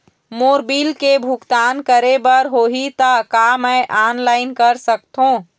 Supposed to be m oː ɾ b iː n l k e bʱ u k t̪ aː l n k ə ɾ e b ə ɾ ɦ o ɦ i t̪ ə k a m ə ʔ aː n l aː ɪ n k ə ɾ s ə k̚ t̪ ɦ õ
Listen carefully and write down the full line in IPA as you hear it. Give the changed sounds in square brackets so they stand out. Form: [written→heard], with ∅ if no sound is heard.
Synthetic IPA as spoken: m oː ɾ b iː [n→∅] l k e bʱ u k t̪ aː [l→∅] n k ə ɾ e b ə ɾ ɦ o ɦ i t̪ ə k a m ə ʔ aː n l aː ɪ n k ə ɾ s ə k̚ t̪ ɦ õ